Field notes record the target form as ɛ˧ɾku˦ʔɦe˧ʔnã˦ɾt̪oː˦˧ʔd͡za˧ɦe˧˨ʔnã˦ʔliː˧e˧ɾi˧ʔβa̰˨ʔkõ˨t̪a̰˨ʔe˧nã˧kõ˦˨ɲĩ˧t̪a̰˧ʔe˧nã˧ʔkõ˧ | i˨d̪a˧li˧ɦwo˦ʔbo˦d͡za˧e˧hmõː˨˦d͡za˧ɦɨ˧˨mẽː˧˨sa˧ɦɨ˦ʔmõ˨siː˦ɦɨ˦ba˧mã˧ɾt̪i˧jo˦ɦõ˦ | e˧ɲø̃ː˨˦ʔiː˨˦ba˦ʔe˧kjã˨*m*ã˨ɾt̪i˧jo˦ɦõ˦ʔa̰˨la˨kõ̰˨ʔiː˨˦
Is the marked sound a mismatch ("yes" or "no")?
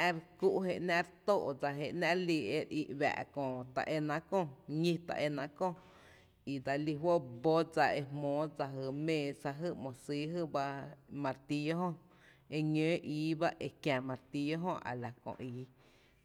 no